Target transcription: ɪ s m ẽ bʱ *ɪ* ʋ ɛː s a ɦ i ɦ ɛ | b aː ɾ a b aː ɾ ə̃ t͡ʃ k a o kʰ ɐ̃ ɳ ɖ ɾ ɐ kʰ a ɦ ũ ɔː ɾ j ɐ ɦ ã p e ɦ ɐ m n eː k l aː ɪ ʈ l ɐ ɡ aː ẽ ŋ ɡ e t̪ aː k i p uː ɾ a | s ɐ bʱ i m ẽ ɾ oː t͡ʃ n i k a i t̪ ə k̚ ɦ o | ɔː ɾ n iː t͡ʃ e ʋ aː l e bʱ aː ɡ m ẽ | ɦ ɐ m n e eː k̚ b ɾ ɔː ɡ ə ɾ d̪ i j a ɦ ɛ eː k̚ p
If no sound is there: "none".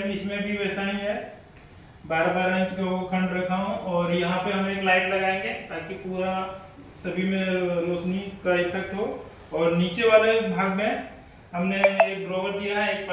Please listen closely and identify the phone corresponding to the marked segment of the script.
i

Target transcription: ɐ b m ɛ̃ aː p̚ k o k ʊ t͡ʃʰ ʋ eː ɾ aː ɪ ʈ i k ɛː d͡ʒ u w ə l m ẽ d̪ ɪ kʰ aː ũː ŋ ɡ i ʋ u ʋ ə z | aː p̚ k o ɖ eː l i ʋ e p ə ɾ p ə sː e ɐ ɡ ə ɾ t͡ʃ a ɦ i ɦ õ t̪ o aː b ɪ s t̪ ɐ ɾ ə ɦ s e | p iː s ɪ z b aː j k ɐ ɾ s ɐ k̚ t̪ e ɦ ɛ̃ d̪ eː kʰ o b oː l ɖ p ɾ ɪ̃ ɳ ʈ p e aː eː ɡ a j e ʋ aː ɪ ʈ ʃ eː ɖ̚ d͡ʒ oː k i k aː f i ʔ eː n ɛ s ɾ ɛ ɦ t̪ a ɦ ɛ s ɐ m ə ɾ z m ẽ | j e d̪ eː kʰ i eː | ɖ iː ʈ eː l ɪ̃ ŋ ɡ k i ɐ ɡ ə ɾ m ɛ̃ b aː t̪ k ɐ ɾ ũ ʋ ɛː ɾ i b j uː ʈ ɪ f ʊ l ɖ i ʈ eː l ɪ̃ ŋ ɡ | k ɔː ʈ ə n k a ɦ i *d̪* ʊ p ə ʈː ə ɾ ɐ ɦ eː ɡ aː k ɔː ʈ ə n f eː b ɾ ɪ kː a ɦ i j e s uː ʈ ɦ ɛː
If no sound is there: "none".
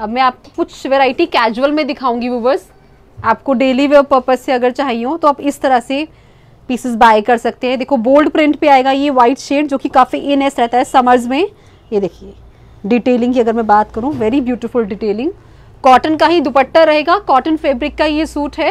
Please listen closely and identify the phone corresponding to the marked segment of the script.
d̪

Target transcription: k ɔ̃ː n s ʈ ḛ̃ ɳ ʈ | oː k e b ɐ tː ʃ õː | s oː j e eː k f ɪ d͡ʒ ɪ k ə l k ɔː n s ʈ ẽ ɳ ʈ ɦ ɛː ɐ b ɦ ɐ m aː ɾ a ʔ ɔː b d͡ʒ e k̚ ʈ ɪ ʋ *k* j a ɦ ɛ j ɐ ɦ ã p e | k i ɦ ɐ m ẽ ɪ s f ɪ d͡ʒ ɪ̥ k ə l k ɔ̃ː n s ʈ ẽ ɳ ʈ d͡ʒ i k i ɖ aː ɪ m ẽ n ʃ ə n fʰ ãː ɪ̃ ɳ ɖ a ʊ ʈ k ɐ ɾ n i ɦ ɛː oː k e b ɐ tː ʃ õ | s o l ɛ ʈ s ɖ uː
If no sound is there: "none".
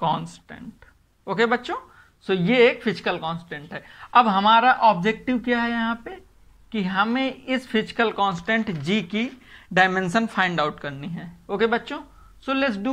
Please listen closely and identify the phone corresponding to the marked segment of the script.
k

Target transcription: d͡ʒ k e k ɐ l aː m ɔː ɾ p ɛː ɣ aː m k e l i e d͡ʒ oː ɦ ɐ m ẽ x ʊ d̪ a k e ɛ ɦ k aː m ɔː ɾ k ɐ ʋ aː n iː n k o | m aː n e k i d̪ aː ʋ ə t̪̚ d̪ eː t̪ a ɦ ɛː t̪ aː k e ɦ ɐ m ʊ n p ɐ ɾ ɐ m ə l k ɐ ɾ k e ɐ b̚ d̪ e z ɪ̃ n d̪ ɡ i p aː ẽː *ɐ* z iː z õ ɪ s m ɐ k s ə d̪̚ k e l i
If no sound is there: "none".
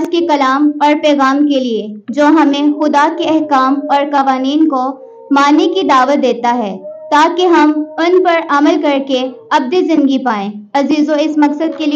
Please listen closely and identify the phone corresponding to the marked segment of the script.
ɐ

